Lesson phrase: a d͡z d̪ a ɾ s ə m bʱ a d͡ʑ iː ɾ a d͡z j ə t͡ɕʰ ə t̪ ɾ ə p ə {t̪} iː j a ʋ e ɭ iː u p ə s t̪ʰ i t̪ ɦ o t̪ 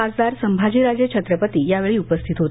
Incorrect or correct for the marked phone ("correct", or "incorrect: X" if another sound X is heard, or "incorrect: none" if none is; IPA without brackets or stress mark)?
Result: correct